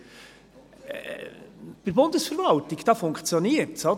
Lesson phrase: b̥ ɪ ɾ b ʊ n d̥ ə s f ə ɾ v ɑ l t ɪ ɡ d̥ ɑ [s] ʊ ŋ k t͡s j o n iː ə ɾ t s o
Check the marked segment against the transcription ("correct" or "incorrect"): incorrect